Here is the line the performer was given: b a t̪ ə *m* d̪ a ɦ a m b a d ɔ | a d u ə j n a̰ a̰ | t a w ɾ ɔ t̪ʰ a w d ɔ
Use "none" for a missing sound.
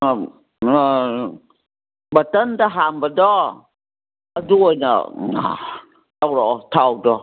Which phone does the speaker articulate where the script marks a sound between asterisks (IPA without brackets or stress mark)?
n